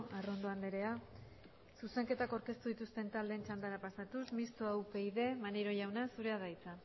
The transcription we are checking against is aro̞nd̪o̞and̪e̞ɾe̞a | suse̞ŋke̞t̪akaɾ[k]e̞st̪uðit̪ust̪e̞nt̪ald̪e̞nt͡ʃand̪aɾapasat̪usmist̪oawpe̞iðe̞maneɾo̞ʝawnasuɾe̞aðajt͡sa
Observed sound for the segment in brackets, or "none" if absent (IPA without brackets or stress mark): k